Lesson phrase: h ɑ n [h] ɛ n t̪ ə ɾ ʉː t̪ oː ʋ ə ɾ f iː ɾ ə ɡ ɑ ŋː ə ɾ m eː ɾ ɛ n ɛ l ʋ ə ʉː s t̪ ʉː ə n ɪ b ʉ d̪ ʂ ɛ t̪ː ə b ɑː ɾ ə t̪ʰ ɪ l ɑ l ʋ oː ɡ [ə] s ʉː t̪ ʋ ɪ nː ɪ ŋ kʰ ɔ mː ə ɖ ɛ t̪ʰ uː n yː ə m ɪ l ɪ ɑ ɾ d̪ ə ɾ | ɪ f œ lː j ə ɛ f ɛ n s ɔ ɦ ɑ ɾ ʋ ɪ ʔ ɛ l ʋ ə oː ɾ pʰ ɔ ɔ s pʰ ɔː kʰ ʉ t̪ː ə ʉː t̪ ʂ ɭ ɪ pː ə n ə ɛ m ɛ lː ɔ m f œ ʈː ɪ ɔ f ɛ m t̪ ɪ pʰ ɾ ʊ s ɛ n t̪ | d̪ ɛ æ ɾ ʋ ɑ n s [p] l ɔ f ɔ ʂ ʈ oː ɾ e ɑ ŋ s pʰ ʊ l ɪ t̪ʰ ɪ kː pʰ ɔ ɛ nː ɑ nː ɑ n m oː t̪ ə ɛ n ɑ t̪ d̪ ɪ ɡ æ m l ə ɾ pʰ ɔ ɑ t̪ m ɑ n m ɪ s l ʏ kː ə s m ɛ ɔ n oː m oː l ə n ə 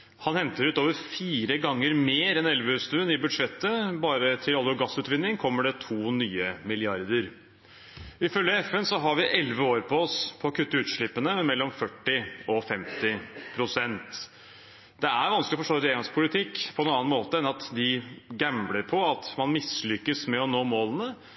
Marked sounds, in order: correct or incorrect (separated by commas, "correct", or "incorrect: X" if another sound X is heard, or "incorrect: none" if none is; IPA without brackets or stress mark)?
correct, incorrect: ɑ, incorrect: k